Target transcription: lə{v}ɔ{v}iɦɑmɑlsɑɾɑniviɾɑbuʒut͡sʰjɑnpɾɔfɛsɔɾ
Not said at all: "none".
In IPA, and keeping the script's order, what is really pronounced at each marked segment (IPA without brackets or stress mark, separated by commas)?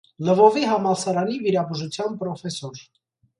v, v